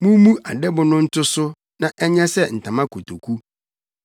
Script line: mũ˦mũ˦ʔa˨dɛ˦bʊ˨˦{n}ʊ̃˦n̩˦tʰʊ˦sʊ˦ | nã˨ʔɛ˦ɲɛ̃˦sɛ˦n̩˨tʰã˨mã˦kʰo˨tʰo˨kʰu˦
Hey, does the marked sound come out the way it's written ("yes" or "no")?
yes